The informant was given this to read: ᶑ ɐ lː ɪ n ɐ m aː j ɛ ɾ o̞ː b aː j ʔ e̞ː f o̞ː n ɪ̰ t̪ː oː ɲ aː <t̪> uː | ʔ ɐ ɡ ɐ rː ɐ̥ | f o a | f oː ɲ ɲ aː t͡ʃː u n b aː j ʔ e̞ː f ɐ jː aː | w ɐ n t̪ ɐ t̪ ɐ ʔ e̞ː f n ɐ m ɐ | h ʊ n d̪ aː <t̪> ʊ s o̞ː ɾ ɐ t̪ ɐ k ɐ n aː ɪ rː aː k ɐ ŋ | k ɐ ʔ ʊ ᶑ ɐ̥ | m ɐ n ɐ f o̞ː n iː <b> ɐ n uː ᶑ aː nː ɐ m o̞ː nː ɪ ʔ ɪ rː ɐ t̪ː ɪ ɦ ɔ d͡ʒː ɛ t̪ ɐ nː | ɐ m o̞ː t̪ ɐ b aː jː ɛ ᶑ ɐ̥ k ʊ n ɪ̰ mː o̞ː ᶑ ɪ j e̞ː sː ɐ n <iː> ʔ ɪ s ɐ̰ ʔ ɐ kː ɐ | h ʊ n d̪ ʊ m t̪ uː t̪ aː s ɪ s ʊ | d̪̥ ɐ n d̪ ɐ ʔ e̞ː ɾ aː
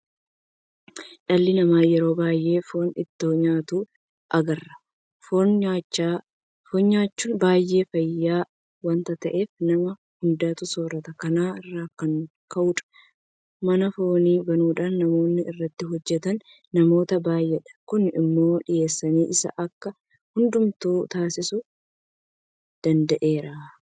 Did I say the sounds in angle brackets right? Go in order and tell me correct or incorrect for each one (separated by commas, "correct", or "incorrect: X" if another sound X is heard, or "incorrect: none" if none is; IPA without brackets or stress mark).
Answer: correct, correct, correct, correct